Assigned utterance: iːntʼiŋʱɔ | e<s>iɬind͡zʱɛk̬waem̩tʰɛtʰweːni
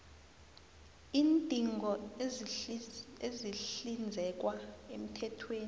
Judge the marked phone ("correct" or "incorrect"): incorrect